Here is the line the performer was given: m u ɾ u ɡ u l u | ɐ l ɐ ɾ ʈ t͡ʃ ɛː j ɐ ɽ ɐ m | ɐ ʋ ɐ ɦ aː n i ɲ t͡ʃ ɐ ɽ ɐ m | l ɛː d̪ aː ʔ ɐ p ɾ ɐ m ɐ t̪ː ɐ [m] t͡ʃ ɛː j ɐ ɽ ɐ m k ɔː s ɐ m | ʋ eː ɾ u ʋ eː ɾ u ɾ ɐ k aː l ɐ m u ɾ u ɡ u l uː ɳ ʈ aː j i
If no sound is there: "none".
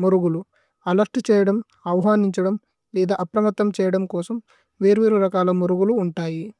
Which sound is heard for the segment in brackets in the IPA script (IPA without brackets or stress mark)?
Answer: m